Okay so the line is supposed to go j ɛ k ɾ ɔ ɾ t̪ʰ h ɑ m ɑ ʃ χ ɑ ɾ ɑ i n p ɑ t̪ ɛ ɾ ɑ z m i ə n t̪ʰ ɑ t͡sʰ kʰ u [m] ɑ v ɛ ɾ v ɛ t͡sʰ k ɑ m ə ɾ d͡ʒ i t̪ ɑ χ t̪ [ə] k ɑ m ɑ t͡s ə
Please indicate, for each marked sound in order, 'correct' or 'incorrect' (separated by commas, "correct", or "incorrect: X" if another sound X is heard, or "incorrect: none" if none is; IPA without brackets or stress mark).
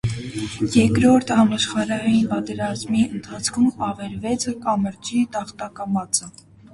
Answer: correct, incorrect: ɑ